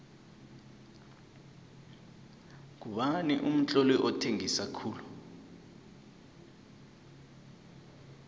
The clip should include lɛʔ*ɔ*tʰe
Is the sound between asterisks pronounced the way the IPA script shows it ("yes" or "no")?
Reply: yes